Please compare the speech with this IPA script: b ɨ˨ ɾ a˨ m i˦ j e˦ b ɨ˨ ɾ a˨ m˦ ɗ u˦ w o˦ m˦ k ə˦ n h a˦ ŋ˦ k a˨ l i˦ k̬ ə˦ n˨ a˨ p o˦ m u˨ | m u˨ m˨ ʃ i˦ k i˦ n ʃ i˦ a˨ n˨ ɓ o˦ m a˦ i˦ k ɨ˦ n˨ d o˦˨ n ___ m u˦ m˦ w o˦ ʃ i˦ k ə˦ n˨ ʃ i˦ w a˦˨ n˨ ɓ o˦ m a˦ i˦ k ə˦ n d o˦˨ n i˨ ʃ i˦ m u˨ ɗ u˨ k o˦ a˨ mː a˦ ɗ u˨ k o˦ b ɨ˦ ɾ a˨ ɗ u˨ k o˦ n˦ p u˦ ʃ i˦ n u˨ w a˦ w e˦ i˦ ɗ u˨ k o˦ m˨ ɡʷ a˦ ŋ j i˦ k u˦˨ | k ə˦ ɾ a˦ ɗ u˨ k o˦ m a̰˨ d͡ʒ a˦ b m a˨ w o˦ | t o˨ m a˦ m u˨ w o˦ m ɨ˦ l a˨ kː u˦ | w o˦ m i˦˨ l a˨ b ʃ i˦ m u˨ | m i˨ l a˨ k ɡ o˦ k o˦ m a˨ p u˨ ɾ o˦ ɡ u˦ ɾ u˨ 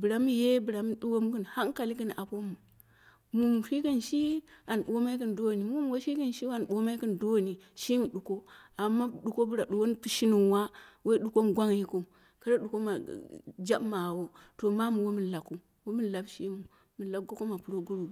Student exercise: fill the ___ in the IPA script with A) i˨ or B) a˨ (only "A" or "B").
A